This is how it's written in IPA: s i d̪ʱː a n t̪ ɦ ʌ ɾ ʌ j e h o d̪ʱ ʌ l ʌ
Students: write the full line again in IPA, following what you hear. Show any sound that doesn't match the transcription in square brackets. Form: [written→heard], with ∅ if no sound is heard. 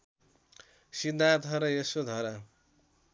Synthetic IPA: s i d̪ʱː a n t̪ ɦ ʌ ɾ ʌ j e [h→s] o d̪ʱ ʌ [l→ɾ] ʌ